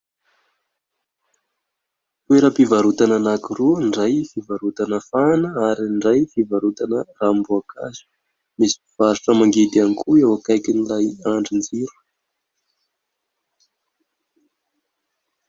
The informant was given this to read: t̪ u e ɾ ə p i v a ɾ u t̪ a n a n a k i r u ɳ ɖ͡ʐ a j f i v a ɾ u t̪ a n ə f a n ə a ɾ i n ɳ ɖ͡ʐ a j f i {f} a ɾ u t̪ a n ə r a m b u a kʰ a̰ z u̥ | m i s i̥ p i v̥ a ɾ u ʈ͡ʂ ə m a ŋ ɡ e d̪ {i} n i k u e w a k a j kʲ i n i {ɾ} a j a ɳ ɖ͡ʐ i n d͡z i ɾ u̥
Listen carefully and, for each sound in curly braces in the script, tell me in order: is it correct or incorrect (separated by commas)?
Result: incorrect, incorrect, incorrect